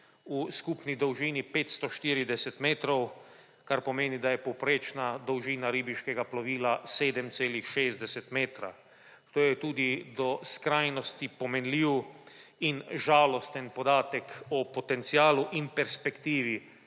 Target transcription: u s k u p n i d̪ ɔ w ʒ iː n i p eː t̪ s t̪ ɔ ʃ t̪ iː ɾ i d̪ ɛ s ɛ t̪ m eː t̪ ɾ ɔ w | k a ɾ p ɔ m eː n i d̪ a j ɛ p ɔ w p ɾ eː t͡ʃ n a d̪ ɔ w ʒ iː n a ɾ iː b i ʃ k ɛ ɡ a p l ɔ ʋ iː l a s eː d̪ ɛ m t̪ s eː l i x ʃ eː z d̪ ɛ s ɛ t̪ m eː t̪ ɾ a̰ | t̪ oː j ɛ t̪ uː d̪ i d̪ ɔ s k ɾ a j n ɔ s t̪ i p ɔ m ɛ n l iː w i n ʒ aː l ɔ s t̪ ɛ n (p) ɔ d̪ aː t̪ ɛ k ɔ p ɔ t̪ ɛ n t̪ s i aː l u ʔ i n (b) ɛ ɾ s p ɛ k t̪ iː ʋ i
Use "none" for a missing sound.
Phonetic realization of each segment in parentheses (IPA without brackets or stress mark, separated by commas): p, p